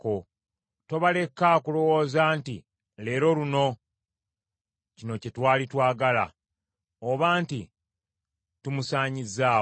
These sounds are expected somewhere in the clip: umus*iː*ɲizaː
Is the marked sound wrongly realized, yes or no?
yes